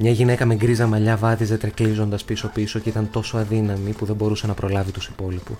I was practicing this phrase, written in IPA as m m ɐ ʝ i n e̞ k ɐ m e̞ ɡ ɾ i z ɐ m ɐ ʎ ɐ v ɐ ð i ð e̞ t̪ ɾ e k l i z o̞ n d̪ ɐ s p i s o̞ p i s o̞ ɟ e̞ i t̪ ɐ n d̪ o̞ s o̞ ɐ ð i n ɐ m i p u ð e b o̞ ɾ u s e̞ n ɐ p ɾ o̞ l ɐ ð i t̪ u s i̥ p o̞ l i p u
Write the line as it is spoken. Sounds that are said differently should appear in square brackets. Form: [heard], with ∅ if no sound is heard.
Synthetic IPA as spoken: m [ɲ] ɐ ʝ i n e̞ k ɐ m e̞ ɡ ɾ i z ɐ m ɐ ʎ ɐ v ɐ ð i [z] e̞ t̪ ɾ e k l i z o̞ n d̪ ɐ s p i s o̞ p i s o̞ [c] e̞ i t̪ ɐ n [t̪] o̞ s o̞ ɐ ð i n ɐ m i p u ð e b o̞ ɾ u s e̞ n ɐ p ɾ o̞ l ɐ [v] i t̪ u s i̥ p o̞ l i p u